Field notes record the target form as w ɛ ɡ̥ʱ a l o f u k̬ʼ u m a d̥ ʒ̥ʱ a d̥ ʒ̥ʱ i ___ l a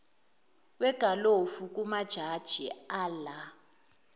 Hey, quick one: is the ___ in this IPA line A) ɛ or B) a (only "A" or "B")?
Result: B